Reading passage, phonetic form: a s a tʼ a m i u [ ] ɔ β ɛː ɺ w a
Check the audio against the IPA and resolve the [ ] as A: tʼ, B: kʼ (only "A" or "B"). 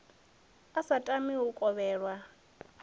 B